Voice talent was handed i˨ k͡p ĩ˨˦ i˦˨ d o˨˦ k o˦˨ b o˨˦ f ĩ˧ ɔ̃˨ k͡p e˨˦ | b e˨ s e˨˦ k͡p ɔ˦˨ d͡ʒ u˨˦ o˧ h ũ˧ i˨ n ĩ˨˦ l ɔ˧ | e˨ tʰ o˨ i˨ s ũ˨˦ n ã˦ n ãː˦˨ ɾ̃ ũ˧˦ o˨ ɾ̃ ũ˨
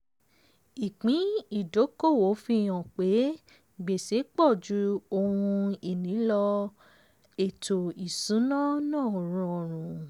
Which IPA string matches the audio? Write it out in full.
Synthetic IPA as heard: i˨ k͡p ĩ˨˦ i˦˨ d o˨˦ k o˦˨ w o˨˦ f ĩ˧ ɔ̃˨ k͡p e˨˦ | ɡ͡b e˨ s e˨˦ k͡p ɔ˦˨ d͡ʒ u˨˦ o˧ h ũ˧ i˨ n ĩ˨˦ l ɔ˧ | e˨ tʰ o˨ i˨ s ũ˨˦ n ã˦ n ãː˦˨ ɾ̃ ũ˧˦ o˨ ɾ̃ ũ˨